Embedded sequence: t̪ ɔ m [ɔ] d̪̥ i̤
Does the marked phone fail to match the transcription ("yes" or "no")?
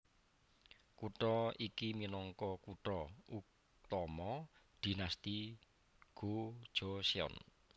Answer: no